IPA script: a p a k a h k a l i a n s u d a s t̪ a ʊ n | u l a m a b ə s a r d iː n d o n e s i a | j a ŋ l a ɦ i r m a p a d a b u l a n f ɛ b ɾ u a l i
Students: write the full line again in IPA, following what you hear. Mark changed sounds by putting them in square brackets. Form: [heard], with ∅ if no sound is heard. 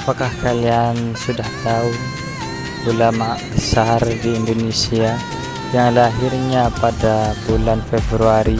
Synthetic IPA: a p a k a h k a l i a n s u d a [h] t̪ a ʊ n | u l a m a b ə s a r d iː n d o n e s i a | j a ŋ l a ɦ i r [ɲ] a p a d a b u l a n f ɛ b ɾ u a [ɾ] i